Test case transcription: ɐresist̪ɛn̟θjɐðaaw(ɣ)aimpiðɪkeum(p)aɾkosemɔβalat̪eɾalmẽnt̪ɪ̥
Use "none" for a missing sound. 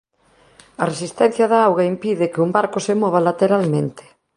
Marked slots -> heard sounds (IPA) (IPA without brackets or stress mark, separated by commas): ɣ, b